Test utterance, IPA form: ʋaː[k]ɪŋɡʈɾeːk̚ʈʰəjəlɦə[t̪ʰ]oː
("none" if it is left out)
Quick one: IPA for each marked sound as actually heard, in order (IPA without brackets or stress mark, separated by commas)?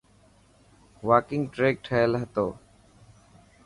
k, t̪